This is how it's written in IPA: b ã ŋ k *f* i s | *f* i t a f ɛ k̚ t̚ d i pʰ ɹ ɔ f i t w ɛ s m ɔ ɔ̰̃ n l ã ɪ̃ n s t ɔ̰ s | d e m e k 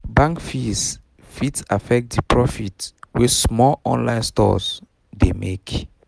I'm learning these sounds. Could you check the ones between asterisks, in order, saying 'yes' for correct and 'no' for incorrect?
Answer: yes, yes

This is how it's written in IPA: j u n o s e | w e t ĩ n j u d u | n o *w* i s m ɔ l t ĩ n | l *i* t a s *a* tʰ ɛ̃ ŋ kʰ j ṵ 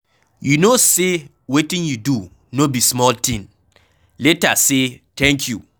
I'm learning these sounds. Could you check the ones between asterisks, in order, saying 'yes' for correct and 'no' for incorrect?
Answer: no, no, no

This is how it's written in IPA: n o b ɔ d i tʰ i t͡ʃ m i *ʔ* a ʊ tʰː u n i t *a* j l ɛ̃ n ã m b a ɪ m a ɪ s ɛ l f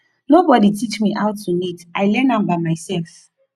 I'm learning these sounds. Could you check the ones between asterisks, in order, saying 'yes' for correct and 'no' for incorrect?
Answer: yes, yes

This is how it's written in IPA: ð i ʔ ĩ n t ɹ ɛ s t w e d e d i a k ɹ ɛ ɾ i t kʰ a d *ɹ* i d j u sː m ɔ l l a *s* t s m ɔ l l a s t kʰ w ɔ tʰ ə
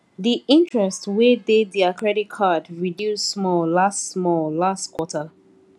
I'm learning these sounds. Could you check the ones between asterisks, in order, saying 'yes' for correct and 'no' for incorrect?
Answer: yes, yes

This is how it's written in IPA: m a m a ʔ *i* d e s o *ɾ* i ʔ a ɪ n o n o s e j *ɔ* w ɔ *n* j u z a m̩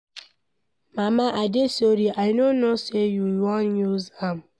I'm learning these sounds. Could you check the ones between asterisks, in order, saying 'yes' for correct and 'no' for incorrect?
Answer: no, yes, no, yes

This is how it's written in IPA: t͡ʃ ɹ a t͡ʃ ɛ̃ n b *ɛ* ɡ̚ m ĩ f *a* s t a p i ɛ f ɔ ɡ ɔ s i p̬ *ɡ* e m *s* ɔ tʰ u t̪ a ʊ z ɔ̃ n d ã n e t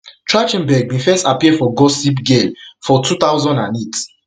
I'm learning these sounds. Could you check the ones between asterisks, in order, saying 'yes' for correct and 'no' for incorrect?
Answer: yes, no, yes, no

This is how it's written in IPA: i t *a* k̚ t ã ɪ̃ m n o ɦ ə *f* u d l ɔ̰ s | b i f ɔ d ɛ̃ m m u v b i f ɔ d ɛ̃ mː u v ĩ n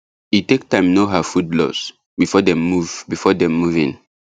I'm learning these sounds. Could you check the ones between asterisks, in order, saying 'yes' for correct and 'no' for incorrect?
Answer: no, yes

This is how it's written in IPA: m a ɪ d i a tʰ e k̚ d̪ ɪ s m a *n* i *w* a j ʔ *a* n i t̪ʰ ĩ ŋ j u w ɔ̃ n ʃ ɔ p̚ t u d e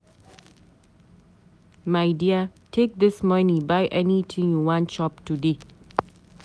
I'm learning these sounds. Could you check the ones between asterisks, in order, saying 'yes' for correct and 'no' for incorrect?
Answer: yes, no, no

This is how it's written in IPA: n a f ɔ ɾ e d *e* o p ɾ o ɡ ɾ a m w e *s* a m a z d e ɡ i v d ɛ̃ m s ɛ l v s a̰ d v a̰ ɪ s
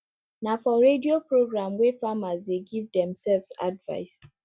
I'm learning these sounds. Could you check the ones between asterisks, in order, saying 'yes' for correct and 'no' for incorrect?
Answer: no, no

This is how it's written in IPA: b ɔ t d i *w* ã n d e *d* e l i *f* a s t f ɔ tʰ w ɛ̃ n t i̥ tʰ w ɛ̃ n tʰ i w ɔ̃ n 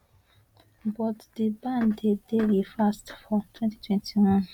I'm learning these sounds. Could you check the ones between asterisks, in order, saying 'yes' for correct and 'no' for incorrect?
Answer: no, yes, yes

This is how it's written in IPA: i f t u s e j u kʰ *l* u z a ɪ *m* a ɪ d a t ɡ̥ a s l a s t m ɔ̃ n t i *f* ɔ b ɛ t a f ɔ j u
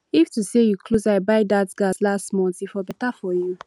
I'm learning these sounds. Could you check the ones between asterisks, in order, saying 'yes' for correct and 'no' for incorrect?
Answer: yes, no, yes

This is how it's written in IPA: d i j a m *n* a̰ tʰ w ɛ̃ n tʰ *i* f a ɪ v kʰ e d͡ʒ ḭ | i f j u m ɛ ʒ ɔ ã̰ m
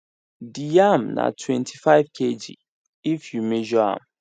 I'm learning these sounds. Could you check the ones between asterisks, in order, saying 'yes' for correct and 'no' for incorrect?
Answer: yes, yes

